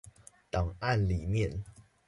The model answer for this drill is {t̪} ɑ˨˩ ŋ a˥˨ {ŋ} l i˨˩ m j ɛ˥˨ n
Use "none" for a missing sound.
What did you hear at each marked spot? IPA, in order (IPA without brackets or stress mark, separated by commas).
t̪, n